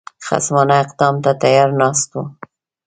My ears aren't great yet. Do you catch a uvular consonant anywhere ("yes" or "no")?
yes